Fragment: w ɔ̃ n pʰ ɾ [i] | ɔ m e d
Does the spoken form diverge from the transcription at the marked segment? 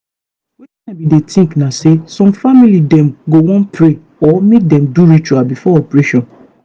yes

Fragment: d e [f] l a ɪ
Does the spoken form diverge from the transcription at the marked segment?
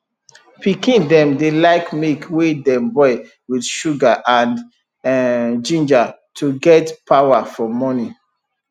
yes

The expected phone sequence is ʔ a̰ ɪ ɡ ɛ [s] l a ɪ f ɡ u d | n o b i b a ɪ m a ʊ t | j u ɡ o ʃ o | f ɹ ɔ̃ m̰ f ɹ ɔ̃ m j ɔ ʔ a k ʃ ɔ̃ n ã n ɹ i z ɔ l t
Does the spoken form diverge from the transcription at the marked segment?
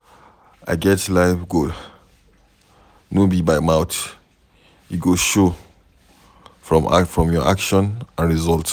yes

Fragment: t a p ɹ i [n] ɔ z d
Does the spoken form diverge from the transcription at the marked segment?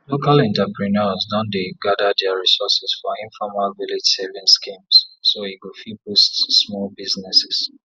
no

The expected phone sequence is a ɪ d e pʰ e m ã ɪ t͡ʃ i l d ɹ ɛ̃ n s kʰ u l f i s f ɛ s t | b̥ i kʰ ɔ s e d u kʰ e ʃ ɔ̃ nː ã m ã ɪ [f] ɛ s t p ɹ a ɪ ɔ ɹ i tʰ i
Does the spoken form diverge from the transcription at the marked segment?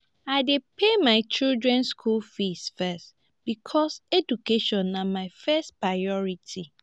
no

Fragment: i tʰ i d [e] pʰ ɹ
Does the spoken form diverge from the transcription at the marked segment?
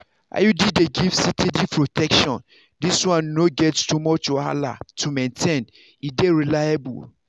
yes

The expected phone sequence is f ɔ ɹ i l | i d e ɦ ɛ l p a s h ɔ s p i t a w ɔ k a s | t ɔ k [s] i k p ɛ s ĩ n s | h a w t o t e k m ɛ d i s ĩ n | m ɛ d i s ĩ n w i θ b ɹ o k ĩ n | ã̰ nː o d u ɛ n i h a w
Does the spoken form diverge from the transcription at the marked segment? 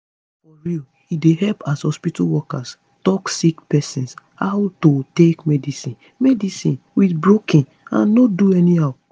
no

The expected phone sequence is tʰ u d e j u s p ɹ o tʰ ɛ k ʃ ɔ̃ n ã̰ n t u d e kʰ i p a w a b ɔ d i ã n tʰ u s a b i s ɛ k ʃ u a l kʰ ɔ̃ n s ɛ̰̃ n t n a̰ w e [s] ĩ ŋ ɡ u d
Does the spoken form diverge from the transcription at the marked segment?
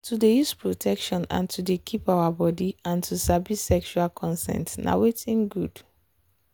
yes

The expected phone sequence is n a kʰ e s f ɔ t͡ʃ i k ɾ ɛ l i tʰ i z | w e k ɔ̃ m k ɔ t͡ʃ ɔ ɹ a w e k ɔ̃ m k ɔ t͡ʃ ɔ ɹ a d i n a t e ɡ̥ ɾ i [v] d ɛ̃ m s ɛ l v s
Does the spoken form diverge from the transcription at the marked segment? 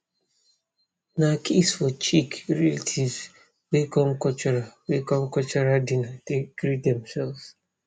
yes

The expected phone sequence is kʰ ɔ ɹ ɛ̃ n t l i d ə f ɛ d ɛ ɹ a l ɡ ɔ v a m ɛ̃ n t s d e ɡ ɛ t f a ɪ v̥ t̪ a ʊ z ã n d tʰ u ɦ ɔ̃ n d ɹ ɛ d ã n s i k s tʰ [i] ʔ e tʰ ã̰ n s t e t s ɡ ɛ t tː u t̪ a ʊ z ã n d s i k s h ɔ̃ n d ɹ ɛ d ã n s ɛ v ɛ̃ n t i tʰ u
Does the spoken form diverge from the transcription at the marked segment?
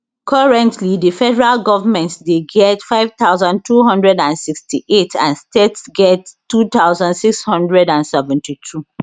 no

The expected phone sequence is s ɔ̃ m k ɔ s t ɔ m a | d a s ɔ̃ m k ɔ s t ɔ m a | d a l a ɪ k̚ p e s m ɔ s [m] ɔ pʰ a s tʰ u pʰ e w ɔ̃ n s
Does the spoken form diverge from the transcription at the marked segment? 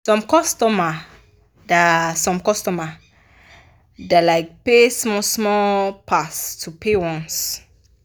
no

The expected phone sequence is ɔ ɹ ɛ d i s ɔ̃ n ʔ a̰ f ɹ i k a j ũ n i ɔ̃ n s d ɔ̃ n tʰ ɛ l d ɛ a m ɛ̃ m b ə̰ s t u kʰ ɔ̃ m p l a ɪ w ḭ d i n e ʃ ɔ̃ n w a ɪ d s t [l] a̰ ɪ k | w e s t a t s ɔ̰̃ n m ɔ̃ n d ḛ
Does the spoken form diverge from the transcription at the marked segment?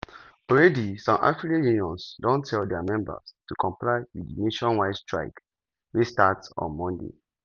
yes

